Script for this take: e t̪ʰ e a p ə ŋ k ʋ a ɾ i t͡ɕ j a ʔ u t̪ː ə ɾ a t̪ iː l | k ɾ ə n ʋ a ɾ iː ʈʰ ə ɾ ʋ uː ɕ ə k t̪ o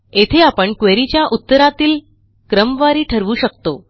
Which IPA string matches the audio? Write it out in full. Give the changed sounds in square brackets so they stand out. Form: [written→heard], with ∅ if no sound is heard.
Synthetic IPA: e t̪ʰ e a p ə [ŋ→ɳ] k ʋ [a→e] ɾ i t͡ɕ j a ʔ u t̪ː ə ɾ a t̪ iː l | k ɾ ə [n→m] ʋ a ɾ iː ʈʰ ə ɾ ʋ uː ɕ ə k t̪ o